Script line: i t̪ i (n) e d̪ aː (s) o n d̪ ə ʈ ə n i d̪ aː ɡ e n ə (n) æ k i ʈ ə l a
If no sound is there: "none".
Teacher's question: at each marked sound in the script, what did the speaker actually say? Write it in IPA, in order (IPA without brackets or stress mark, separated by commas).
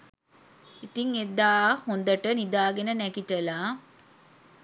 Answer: ŋ, h, n